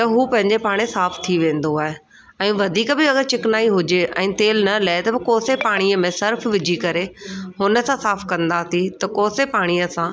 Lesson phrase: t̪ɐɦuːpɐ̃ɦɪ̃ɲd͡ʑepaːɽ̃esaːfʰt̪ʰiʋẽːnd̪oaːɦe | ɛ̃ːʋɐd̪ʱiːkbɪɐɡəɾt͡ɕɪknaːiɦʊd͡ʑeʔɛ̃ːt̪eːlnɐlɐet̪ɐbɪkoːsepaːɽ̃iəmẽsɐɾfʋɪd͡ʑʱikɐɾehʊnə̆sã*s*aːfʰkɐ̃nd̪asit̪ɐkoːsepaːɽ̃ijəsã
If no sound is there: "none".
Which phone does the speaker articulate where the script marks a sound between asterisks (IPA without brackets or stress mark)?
s